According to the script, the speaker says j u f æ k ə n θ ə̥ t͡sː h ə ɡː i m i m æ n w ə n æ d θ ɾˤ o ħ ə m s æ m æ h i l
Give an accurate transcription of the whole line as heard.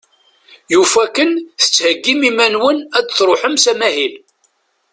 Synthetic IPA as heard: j u f æ k ə n θ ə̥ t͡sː h ə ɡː i m i m æ n w ə n æ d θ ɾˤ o ħ ə m s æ m æ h i l